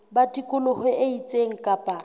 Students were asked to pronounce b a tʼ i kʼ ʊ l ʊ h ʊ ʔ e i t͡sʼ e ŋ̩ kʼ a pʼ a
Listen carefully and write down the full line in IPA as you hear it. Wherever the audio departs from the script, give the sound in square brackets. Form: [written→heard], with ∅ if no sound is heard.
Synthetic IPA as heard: b a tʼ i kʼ ʊ l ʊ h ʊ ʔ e i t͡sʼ e ŋ̩ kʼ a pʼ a